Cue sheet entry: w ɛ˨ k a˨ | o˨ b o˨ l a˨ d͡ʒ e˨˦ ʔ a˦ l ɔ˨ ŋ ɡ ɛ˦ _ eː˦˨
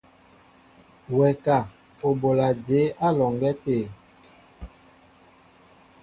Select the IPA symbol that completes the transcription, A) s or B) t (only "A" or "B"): B